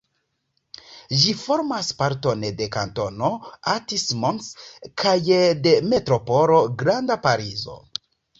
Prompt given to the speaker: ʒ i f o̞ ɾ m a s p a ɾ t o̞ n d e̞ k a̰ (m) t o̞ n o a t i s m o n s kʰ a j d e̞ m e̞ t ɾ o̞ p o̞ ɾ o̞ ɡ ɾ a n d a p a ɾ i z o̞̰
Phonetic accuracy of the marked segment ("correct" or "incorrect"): incorrect